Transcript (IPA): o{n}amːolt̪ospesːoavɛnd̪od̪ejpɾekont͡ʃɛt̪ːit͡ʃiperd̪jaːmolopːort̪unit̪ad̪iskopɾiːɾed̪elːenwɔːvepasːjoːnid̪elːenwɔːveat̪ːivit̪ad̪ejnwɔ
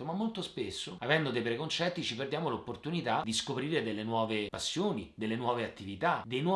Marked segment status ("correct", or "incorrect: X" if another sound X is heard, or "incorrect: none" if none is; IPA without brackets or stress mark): incorrect: m